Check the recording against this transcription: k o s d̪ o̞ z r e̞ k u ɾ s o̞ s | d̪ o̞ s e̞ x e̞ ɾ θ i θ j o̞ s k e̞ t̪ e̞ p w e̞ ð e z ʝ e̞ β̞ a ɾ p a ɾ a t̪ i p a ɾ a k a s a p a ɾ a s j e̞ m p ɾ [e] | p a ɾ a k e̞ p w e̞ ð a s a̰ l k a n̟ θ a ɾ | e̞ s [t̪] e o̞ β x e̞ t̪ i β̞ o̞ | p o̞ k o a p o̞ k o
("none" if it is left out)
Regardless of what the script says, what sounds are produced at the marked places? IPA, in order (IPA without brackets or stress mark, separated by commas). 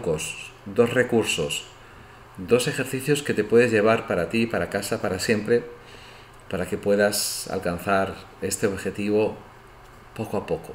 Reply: e, t̪